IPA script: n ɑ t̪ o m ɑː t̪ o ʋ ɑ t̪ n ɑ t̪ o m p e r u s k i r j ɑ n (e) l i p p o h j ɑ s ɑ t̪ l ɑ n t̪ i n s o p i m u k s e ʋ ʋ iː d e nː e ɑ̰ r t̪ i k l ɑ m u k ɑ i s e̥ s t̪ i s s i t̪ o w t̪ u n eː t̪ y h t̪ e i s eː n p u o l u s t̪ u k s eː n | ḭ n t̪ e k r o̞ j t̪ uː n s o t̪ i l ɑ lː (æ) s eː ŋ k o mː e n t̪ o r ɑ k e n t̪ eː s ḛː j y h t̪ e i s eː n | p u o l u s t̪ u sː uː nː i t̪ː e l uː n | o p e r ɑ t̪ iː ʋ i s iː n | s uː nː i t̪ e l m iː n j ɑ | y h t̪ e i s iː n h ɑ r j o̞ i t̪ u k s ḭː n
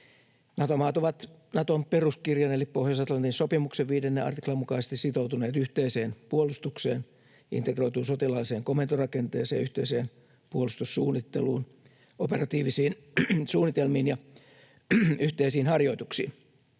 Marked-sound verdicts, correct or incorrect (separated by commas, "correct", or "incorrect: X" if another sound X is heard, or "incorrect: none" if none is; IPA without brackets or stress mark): correct, incorrect: i